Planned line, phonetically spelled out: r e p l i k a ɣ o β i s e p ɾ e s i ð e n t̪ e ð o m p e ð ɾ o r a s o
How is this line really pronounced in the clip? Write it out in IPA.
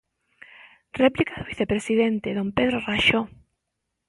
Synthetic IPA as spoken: r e p l i k a ð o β i θ e p ɾ e s i ð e n t̪ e ð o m p e ð ɾ o r a ʃ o

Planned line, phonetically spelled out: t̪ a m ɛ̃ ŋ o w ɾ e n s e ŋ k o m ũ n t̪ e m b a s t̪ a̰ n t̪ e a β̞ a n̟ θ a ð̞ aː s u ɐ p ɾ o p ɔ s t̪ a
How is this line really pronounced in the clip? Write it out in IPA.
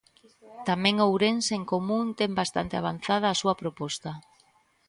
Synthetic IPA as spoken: t̪ a m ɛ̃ ŋ o w ɾ e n s e ŋ k o m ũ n t̪ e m b a s t̪ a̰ n t̪ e a β̞ a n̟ θ a ð̞ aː s u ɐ p ɾ o p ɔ s t̪ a

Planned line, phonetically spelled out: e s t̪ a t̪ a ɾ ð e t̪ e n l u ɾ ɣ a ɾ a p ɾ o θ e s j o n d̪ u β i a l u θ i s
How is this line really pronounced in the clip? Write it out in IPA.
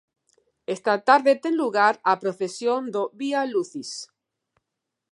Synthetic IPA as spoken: e s t̪ a t̪ a ɾ ð e t̪ e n l u ɣ a ɾ a p ɾ o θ e s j o n d̪ o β i a l u θ i s

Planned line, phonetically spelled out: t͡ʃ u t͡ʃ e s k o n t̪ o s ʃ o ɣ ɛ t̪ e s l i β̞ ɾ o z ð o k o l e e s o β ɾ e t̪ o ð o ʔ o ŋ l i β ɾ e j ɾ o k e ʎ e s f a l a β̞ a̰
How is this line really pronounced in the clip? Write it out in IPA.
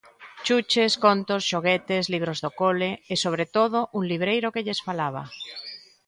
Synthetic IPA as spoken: t͡ʃ u t͡ʃ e s k o n t̪ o s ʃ o ɣ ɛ t̪ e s l i β̞ ɾ o z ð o k o l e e s o β ɾ e t̪ o ð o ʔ u ŋ l i β ɾ e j ɾ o k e ʎ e s f a l a β̞ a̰

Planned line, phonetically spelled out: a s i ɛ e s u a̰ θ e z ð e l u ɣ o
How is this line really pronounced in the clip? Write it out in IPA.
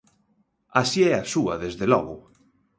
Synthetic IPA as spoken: a s i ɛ a s u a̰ ð e z ð e l ɔ ɣ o

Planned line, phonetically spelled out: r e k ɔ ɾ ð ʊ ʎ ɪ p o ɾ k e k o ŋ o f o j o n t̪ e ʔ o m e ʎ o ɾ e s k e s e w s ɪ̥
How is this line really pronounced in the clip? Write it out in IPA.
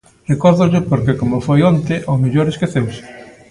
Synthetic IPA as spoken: r e k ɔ ɾ ð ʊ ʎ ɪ p o ɾ k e k o m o f o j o n t̪ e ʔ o m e ʎ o ɾ e s k e θ e w s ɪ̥

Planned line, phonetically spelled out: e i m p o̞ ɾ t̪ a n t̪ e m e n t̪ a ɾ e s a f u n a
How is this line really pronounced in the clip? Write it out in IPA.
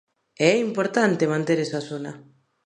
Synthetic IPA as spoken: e i m p o̞ ɾ t̪ a n t̪ e m a n t̪ e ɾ e s a s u n a

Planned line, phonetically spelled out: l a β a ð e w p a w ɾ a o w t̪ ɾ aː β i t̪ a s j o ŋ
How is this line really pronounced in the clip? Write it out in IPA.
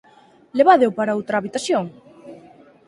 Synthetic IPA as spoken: l e β a ð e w p a ɾ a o w t̪ ɾ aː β i t̪ a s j o ŋ

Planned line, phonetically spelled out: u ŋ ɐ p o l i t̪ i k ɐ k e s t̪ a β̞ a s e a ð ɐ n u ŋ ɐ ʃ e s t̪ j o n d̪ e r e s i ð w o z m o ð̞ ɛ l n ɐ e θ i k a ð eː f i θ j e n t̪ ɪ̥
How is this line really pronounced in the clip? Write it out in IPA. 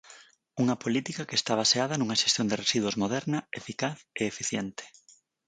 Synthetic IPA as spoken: u ŋ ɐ p o l i t̪ i k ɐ k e s t̪ a β̞ a s e a ð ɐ n u ŋ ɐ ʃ e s t̪ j o n d̪ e r e s i ð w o z m o ð̞ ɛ ɾ n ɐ e f i k a θ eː f i θ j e n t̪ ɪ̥

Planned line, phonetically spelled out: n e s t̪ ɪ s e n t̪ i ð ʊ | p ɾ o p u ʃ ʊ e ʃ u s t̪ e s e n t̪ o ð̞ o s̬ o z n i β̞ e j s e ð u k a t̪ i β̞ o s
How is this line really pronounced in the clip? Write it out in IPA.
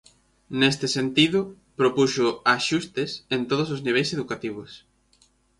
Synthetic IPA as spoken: n e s t̪ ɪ s e n t̪ i ð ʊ | p ɾ o p u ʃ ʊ a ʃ u s t̪ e s e n t̪ o ð̞ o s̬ o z n i β̞ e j s e ð u k a t̪ i β̞ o s

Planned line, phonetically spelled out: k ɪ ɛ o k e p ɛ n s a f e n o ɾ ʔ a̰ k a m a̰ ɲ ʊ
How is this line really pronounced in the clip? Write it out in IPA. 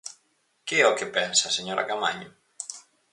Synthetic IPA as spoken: k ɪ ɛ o k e p ɛ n s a s e ɲ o ɾ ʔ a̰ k a m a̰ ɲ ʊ

